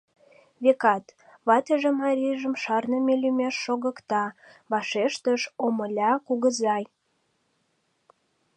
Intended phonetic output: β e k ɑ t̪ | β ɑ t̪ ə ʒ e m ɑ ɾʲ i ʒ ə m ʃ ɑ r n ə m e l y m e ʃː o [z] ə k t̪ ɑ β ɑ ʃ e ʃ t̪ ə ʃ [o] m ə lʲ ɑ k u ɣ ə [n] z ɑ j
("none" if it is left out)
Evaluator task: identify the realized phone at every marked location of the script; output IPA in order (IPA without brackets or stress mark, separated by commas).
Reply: ɣ, o, none